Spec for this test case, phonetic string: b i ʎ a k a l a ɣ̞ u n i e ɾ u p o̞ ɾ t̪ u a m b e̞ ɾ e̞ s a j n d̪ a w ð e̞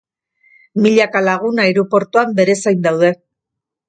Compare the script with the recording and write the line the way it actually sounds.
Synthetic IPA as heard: m i ʎ a k a l a ɣ̞ u n a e ɾ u p o̞ ɾ t̪ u a m b e̞ ɾ e̞ s a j n d̪ a w ð e̞